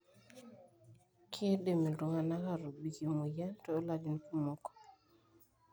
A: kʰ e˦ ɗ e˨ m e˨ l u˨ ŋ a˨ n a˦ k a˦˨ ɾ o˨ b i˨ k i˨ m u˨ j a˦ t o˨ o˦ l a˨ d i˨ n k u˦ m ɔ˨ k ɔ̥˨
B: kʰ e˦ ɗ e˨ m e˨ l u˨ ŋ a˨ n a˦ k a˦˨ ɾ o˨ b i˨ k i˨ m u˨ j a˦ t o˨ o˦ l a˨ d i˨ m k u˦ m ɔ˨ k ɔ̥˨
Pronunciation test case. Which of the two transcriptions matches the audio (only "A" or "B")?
A